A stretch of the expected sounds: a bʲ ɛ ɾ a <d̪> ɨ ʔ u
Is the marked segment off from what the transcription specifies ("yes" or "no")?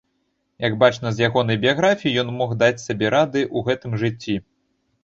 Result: no